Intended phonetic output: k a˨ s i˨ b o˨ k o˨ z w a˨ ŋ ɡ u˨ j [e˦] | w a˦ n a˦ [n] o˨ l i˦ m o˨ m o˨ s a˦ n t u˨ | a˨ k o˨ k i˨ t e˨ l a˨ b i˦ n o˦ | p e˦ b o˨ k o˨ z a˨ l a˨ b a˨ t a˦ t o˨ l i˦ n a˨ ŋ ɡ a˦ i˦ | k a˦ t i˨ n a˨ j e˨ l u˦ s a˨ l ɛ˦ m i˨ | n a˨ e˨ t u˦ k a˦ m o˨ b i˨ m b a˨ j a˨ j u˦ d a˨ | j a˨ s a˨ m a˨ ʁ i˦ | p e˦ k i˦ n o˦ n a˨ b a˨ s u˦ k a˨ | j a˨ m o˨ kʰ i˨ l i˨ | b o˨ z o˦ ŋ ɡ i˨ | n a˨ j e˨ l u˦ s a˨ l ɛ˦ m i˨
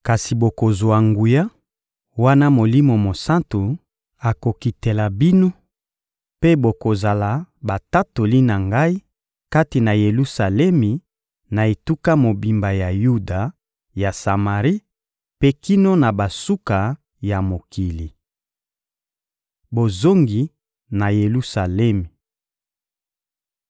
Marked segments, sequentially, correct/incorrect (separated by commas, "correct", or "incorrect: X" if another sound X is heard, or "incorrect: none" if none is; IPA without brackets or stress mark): incorrect: a˦, incorrect: m